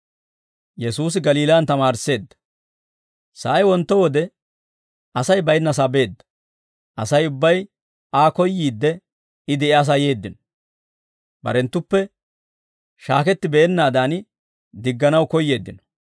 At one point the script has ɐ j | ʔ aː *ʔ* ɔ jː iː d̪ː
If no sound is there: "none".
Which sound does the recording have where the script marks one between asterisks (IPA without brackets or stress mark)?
k